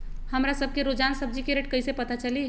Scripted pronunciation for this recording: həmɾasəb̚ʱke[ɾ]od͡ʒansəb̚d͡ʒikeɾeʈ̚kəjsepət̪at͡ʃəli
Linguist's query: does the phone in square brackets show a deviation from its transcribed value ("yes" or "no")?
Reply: no